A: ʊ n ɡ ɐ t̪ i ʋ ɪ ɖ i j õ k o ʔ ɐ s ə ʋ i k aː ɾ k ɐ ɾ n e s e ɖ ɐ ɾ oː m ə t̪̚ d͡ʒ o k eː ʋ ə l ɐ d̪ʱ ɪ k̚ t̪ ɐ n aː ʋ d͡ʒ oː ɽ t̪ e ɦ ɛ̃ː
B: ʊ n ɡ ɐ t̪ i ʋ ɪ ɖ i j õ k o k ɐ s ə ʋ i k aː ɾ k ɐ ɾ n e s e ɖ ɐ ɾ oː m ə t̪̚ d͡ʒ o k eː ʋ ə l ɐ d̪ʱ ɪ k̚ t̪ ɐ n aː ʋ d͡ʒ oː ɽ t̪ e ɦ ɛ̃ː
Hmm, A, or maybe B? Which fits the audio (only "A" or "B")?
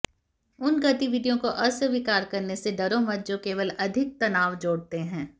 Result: A